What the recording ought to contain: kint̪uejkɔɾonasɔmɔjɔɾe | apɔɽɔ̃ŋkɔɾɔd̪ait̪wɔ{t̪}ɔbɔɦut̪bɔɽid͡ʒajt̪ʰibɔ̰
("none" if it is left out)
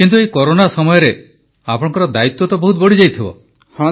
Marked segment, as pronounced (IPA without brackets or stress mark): t̪